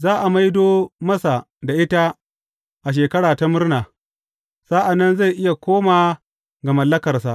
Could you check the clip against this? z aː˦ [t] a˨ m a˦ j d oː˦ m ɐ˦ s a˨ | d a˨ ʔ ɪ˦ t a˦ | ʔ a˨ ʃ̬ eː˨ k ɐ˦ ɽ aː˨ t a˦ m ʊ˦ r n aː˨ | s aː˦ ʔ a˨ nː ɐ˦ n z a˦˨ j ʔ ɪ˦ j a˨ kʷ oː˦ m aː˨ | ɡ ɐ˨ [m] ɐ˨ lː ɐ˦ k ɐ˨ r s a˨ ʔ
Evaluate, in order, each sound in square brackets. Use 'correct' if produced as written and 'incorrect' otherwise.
incorrect: ʔ, correct

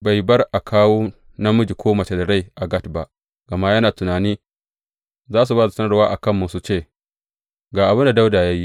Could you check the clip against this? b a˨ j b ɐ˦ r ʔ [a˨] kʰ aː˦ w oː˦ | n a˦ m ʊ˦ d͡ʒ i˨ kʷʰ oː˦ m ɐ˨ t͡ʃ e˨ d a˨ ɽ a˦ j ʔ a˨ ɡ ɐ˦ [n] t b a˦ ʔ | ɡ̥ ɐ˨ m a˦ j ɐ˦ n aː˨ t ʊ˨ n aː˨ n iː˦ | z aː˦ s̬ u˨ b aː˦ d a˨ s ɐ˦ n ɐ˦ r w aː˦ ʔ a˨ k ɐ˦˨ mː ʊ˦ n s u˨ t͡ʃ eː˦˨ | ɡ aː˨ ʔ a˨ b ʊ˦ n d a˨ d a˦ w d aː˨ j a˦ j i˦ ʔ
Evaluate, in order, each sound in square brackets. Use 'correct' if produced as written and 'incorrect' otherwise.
correct, incorrect: none

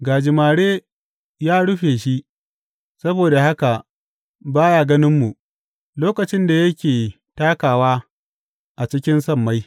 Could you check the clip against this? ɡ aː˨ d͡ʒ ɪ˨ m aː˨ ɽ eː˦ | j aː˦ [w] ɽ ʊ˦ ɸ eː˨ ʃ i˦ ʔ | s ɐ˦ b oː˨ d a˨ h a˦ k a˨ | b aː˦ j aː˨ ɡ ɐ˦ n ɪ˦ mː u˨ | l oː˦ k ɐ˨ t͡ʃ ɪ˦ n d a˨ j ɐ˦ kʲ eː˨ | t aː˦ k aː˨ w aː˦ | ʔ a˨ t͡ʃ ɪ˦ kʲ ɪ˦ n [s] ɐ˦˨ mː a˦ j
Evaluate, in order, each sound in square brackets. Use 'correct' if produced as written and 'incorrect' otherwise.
incorrect: none, correct

